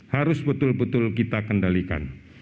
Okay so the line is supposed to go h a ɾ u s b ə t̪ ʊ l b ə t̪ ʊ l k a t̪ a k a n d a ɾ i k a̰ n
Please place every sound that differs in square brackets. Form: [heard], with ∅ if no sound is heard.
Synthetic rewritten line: h a ɾ [ʊ] s b ə t̪ ʊ l b ə t̪ ʊ l k [i] t̪ a k [ə] n d a [l] i k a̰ n